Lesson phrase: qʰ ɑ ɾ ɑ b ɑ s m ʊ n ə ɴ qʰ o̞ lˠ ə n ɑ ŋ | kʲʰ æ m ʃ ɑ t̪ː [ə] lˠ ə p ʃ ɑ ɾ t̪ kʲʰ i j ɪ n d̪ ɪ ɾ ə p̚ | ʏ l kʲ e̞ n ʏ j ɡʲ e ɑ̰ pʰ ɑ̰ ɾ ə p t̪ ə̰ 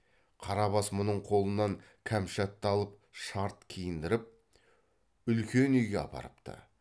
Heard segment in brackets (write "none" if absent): ɑ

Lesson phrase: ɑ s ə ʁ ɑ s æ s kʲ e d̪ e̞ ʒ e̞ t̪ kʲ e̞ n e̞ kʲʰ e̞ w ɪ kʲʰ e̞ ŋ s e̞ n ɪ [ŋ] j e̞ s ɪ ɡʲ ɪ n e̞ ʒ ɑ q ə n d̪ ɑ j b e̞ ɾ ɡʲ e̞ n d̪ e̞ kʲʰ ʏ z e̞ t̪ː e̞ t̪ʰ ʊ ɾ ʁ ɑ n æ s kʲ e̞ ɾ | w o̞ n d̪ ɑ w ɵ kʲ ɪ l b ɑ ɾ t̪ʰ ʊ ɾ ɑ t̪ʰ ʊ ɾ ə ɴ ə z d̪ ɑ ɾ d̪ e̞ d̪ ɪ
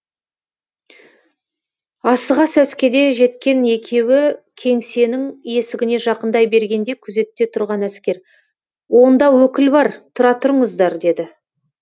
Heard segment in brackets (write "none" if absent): ŋ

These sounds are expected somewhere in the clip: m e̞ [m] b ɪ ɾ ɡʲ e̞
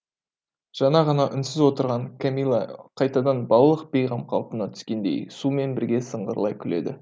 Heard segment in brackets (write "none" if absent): n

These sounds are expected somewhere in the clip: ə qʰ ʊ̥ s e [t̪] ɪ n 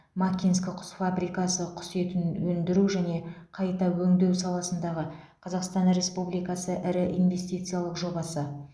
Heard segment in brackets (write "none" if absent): t̪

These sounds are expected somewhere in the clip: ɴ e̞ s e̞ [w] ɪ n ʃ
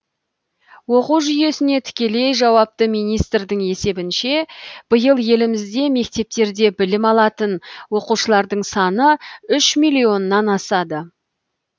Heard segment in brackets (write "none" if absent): b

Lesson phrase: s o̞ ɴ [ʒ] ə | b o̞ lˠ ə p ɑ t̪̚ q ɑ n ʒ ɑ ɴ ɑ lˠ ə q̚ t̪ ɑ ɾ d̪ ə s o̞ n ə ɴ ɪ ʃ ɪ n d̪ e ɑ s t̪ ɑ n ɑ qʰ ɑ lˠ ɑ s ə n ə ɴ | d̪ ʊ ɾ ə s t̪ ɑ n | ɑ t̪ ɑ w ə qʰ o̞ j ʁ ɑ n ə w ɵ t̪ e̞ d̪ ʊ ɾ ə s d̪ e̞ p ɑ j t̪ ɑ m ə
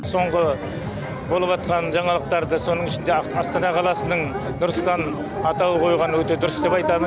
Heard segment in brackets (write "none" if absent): ʁ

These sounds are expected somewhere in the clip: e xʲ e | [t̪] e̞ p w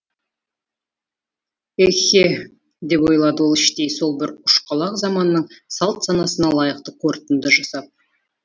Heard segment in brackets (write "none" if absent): d̪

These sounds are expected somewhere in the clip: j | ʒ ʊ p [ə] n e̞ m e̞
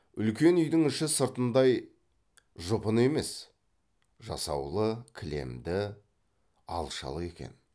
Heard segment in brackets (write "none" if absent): ə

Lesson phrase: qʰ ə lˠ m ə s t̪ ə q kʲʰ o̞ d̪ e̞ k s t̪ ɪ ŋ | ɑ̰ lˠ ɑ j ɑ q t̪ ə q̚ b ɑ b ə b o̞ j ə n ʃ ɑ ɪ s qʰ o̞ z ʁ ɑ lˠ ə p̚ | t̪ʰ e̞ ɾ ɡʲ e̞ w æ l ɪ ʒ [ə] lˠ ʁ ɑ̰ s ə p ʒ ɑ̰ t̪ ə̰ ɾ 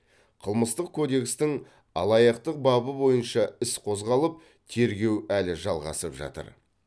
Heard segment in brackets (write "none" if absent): ɑ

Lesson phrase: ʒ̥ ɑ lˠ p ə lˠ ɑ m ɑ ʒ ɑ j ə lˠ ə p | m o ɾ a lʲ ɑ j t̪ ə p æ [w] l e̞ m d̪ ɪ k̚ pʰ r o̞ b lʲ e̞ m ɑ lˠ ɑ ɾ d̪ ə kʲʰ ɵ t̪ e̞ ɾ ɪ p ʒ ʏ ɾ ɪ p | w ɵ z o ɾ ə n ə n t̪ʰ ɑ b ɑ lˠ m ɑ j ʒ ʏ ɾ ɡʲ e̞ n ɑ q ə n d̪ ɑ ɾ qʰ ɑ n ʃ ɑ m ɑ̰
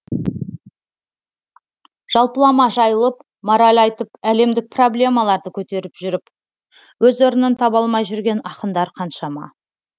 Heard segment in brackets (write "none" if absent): none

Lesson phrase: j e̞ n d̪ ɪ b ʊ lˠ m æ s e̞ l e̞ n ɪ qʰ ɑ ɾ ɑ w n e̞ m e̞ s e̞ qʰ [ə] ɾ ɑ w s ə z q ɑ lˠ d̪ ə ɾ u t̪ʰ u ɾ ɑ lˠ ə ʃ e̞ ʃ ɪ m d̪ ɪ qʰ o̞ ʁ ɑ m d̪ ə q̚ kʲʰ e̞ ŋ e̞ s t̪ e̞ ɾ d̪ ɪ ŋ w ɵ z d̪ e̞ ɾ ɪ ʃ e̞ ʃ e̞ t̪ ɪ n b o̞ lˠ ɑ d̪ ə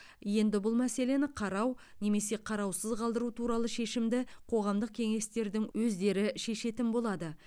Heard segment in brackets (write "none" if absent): ɑ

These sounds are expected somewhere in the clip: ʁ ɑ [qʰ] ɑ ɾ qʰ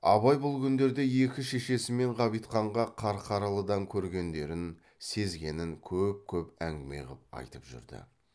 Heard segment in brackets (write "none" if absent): qʰ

